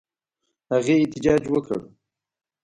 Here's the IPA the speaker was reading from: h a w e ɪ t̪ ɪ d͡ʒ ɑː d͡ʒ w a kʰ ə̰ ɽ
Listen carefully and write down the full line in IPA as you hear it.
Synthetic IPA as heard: h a ɣ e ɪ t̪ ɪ d͡ʒ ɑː d͡ʒ w ə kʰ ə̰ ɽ